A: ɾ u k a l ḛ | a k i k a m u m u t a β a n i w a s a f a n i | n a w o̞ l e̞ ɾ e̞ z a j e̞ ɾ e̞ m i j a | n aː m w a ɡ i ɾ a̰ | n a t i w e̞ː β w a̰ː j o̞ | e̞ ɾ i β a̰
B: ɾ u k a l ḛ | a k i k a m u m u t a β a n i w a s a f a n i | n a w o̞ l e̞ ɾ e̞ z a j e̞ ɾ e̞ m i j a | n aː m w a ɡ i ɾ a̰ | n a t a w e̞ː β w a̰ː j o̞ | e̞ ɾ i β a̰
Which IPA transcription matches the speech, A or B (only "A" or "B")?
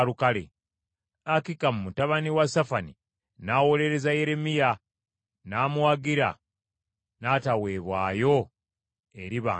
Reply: B